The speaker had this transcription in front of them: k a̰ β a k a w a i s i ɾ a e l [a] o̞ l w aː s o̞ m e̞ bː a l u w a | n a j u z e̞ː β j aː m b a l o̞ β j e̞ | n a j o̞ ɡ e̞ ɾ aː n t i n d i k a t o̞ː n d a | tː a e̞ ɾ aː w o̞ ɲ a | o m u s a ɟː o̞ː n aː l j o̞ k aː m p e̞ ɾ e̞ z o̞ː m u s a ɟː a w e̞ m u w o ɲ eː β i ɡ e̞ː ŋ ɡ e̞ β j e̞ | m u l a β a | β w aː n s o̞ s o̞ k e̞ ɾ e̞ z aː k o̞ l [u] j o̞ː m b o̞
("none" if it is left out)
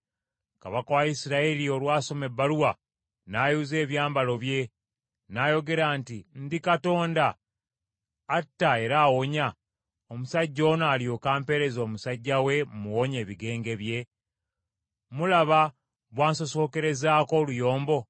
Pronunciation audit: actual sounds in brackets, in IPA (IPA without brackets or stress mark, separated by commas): i, u